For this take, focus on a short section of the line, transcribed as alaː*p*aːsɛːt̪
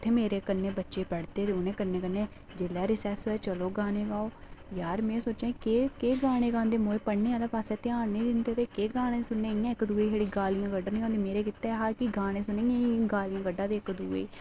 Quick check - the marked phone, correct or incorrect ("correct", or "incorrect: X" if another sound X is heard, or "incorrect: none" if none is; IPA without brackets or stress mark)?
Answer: correct